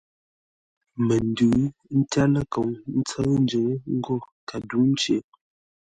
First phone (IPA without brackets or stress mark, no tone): m